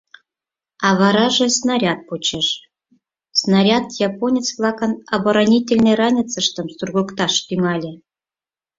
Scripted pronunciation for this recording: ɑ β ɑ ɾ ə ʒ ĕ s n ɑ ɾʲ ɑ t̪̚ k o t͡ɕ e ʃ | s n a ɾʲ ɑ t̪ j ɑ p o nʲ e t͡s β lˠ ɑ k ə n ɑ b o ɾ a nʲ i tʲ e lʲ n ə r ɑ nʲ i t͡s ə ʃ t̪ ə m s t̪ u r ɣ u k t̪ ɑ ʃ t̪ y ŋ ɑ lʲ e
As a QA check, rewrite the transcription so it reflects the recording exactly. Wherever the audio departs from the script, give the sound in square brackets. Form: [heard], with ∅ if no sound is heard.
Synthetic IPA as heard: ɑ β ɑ ɾ [ɑ] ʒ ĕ s n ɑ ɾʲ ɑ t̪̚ [p] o t͡ɕ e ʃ | s n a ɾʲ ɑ t̪ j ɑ p o nʲ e t͡s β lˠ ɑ k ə n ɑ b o ɾ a nʲ i tʲ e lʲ n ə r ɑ nʲ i t͡s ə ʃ t̪ ə m s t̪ u r ɣ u k t̪ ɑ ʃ t̪ y ŋ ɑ lʲ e